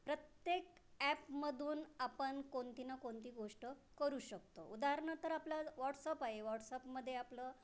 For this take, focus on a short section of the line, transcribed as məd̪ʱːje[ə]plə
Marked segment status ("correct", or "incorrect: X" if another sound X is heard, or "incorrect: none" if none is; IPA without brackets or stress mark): incorrect: a